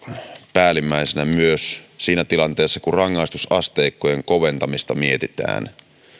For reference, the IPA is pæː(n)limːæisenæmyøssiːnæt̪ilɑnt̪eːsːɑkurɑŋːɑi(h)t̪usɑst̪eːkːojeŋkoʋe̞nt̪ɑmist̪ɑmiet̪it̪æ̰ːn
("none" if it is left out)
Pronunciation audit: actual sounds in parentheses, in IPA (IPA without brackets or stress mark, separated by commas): none, s